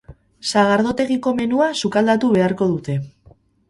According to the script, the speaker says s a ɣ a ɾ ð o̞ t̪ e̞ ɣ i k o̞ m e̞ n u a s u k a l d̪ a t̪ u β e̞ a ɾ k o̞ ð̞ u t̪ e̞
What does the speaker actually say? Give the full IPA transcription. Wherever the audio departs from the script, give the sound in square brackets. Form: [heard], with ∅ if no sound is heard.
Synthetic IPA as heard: s a ɣ a ɾ ð o̞ t̪ e̞ ɣ i k o̞ m e̞ n u a s u k a l d̪ a t̪ u β e̞ a ɾ k o̞ ð̞ u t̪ e̞